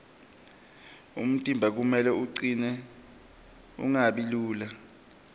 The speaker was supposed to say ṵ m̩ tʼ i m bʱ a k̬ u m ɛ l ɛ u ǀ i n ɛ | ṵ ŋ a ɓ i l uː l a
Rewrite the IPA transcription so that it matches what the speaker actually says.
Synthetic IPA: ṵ m̩ tʼ i m bʱ a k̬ u m ɛ l ɛ u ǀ i n ɛ | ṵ ŋ a ɓ i l uː l a